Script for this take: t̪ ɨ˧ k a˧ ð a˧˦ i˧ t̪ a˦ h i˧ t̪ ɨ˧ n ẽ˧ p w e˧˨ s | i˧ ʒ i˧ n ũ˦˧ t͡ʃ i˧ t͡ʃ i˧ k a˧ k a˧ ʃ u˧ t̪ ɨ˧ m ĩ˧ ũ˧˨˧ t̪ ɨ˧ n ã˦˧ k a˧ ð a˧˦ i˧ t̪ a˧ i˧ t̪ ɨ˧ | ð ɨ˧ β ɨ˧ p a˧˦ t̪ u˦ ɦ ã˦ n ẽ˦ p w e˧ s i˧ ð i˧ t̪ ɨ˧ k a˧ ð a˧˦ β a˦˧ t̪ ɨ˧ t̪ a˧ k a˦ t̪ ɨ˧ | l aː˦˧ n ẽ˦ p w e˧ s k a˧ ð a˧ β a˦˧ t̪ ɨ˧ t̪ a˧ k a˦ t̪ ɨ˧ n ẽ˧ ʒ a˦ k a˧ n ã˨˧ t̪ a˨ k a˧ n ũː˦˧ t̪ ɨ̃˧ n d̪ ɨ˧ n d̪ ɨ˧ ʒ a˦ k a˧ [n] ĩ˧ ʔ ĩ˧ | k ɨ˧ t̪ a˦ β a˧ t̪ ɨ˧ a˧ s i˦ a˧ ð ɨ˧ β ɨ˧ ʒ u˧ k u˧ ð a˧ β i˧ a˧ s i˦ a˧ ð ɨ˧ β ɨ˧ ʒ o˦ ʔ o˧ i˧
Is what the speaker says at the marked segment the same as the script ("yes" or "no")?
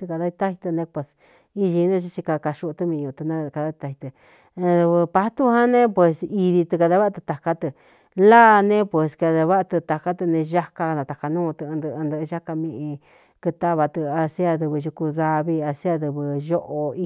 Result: no